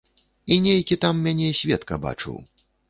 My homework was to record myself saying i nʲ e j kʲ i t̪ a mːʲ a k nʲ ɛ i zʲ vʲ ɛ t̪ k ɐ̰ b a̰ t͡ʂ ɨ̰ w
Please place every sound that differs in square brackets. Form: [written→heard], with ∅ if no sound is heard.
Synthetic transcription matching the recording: i nʲ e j kʲ i t̪ a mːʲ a [k→∅] nʲ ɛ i [zʲ→sʲ] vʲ ɛ t̪ k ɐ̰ b a̰ t͡ʂ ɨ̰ w